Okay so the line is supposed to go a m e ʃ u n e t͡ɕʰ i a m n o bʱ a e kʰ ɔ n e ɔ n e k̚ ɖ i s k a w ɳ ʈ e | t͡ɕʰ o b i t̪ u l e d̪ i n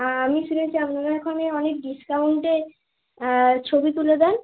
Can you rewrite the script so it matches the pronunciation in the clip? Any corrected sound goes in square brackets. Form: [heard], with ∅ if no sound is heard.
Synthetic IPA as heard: a m [i] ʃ u n e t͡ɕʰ i a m n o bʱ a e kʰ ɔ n e ɔ n e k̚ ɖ i s k a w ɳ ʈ e | t͡ɕʰ o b i t̪ u l e d̪ [ɛ] n